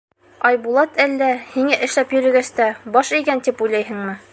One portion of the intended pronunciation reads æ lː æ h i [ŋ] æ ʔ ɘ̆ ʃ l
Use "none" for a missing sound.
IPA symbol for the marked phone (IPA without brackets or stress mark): ŋ